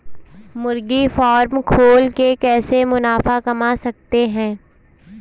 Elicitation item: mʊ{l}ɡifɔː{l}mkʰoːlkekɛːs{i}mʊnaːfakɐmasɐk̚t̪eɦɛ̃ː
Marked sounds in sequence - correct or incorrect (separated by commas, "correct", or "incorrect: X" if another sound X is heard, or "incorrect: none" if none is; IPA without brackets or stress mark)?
incorrect: ɾ, incorrect: ɾ, incorrect: e